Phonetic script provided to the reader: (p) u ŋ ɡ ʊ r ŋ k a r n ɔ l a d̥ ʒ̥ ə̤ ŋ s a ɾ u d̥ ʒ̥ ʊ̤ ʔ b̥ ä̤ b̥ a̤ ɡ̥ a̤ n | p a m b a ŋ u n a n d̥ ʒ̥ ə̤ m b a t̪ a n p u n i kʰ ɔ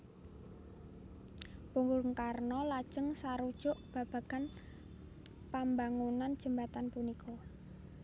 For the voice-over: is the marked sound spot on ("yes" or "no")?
yes